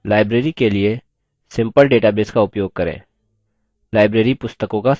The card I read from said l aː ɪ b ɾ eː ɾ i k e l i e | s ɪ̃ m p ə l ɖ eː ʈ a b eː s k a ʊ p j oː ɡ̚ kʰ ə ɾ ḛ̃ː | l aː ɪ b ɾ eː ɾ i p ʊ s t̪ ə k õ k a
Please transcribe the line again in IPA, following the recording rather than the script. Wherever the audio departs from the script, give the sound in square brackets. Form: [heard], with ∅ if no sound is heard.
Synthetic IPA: l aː ɪ b ɾ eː ɾ i k e l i e | s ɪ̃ m p ə l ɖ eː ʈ a b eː s k a ʊ p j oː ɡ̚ [k] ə ɾ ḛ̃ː | l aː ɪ b ɾ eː ɾ i p ʊ s t̪ ə k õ k a